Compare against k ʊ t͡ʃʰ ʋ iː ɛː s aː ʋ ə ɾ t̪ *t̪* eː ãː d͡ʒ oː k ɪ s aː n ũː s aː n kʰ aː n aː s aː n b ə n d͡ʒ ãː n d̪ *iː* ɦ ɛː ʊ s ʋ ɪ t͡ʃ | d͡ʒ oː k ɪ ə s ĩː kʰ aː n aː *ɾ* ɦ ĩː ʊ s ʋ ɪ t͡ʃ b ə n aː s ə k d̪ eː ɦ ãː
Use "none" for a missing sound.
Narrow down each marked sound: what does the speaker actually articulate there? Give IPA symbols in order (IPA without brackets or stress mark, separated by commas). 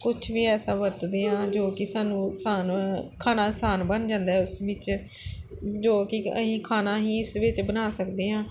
d̪, aː, none